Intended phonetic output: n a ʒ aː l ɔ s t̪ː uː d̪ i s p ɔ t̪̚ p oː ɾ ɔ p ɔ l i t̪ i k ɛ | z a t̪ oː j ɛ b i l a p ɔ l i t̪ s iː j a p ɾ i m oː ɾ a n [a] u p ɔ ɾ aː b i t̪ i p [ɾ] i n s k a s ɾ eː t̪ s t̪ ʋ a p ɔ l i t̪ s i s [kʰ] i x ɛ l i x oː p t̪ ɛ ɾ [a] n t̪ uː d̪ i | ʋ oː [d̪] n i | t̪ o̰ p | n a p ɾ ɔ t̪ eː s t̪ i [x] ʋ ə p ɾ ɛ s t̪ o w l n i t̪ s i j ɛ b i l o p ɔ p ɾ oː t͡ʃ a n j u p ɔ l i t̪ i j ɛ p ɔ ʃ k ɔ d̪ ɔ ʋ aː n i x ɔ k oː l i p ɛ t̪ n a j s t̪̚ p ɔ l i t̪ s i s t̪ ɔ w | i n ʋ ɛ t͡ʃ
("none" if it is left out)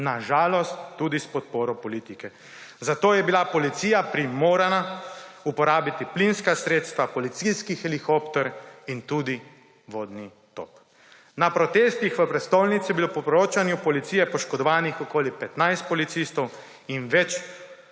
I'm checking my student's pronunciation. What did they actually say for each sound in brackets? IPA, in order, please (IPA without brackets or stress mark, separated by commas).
a, l, k, i, d̪, x